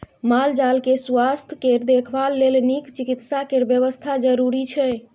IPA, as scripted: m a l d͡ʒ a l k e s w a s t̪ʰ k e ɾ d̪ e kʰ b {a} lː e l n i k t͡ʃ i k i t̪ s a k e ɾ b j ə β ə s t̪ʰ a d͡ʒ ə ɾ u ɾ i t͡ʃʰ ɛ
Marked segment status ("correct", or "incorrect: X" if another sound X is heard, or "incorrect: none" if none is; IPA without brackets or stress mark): correct